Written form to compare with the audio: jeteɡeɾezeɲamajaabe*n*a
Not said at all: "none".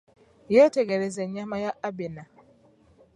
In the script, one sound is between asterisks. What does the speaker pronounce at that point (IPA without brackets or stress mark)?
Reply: n